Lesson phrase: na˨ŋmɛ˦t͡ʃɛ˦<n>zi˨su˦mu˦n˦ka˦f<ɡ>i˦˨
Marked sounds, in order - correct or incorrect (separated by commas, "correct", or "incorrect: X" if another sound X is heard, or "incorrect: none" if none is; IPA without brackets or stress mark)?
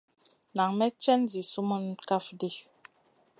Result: correct, incorrect: d